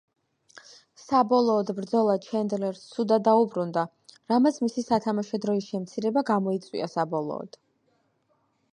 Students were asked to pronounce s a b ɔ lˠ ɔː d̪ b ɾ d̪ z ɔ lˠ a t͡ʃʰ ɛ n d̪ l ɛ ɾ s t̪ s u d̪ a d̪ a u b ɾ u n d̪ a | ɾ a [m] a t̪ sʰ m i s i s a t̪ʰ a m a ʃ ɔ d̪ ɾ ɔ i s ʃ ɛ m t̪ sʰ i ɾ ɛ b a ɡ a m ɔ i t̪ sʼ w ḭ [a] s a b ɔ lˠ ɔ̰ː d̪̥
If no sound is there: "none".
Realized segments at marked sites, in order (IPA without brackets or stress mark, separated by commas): m, a